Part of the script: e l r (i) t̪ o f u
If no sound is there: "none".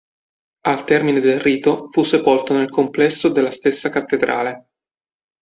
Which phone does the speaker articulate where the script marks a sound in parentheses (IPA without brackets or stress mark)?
iː